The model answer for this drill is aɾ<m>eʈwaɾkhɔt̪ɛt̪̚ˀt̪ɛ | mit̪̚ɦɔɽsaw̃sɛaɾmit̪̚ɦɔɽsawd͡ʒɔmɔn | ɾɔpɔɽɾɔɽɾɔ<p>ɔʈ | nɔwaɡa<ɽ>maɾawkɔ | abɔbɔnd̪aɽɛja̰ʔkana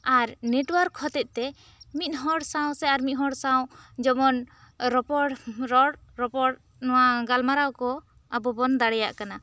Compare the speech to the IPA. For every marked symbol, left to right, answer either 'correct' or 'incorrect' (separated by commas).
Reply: incorrect, correct, incorrect